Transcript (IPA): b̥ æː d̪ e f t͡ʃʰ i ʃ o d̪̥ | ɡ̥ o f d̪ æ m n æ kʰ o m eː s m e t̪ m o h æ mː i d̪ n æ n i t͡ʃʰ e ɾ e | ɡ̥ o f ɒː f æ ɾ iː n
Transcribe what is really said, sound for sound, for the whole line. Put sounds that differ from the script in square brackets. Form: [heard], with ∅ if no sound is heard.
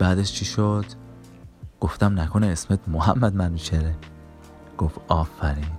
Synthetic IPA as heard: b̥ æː d̪ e [ʃ] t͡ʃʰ i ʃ o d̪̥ | ɡ̥ o f [t̪] æ m n æ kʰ o [n] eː s m e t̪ m o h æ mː [æ] d̪ [m] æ n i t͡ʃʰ e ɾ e | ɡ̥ o f ɒː f æ ɾ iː n